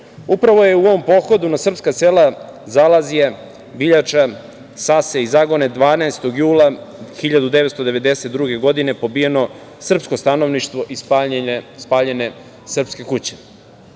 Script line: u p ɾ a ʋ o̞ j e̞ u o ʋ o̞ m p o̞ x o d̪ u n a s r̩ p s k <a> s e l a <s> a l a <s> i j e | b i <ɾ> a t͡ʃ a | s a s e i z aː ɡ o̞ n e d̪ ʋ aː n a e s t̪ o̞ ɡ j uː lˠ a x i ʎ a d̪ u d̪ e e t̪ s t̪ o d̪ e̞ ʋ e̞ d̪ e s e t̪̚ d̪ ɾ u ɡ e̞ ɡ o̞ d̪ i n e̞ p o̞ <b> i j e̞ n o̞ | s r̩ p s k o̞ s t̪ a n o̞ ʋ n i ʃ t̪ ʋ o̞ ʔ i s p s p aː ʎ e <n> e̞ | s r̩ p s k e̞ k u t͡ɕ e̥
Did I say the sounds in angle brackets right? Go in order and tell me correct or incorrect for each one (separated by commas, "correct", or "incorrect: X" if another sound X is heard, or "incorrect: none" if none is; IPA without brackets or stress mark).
correct, incorrect: z, incorrect: z, incorrect: ʎ, correct, correct